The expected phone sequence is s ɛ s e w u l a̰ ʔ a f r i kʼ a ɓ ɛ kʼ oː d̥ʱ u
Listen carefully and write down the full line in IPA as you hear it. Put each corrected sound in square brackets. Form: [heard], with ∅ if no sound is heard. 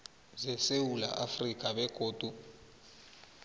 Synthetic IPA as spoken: [z] ɛ s e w u l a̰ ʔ a f r i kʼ a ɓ ɛ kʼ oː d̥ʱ u